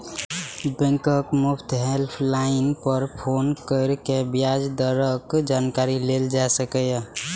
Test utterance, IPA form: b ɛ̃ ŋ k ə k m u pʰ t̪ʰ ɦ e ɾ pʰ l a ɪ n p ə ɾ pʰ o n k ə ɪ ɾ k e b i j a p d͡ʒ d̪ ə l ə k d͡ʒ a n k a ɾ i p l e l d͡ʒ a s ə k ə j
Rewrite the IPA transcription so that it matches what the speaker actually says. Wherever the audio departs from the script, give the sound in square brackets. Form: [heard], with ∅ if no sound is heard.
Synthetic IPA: b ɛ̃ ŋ k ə k m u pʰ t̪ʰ ɦ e [l] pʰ l a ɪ n p ə ɾ pʰ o n k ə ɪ ɾ k e b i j a [∅] d͡ʒ d̪ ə [ɾ] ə k d͡ʒ a n k a ɾ i [∅] l e l d͡ʒ a s ə k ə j